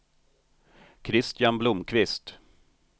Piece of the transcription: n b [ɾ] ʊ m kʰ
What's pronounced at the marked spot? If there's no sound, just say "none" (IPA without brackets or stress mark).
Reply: l